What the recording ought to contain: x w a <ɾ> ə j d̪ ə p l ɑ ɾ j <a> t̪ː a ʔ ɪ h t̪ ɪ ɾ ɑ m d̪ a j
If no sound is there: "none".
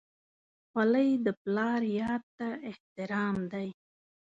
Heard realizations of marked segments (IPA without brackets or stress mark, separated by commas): l, ɑ